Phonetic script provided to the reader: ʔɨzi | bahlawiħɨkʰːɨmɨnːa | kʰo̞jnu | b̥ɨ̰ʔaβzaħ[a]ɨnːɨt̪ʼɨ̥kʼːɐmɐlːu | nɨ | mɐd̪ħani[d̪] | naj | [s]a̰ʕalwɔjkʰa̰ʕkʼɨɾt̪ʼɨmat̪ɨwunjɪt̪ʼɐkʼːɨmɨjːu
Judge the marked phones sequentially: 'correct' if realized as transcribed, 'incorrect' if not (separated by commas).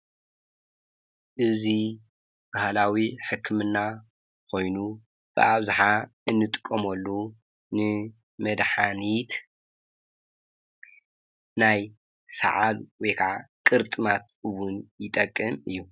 correct, incorrect, correct